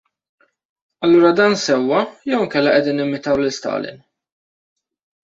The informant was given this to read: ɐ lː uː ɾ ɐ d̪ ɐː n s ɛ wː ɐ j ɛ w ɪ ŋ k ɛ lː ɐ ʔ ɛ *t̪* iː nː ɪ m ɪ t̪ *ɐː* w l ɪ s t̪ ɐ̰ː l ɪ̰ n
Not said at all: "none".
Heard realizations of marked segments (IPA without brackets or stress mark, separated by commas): d̪, ɐ